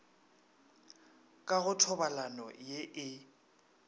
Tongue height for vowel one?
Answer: low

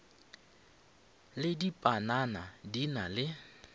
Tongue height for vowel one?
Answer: high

